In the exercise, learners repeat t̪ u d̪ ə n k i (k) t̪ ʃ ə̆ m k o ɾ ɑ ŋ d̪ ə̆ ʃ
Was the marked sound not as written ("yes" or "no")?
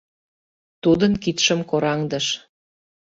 yes